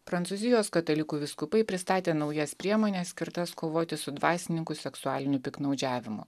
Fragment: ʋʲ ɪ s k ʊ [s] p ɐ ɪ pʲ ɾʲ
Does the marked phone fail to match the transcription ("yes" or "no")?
yes